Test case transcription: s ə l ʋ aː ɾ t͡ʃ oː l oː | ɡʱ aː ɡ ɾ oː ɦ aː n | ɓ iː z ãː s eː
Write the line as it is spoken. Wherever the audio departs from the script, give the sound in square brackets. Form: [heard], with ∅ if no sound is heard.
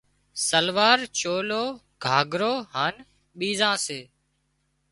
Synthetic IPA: s ə l ʋ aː ɾ t͡ʃ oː l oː | ɡʱ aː ɡ ɾ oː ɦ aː n | ɓ iː z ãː s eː